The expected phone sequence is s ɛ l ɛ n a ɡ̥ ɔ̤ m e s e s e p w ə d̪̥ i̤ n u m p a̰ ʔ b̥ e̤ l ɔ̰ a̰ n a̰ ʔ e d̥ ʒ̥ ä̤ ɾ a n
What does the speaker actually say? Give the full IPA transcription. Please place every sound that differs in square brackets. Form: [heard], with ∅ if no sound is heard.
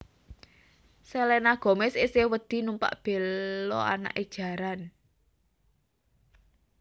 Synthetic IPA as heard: s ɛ l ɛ n a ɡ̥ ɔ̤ m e s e s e [∅] w ə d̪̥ i̤ n u m p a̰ ʔ b̥ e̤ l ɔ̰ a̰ n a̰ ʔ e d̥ ʒ̥ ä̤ ɾ a n